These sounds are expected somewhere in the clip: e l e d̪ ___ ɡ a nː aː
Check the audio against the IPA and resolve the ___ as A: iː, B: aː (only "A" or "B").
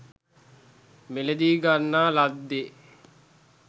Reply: A